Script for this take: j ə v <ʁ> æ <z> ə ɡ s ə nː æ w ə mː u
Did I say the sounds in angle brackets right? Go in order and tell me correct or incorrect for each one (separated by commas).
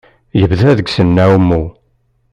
incorrect, incorrect